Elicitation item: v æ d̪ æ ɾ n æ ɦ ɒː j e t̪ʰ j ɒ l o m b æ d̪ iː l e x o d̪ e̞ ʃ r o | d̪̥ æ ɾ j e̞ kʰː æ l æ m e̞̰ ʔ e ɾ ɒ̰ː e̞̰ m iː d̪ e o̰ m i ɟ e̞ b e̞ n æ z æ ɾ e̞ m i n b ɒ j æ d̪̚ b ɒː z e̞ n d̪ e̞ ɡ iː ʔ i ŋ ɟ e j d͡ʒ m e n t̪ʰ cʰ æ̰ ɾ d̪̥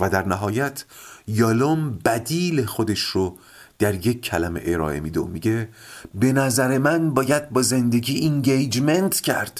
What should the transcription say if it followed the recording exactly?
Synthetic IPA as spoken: v æ d̪ æ ɾ n æ ɦ ɒː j æ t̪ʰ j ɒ l o m b æ d̪ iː l e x o d̪ e̞ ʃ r o | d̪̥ æ ɾ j e̞ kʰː æ l æ m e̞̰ ʔ e ɾ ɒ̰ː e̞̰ m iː d̪ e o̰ m i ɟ e̞ b e̞ n æ z æ ɾ e̞ m æ n b ɒː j æ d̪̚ b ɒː z e̞ n d̪ e̞ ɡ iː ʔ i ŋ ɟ e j d͡ʒ m e n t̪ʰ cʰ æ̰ ɾ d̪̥